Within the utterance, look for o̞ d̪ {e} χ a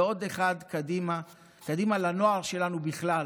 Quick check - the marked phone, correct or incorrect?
correct